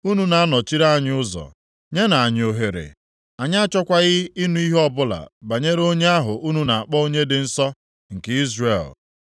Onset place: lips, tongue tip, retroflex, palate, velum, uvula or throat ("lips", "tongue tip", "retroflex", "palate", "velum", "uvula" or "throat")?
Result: tongue tip